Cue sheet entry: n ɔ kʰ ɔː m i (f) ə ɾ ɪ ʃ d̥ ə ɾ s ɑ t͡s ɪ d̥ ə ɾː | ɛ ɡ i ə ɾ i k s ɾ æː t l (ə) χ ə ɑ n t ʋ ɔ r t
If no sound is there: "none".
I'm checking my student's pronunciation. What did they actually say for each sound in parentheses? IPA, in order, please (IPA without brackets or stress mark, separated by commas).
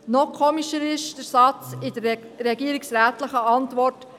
ʃ, ə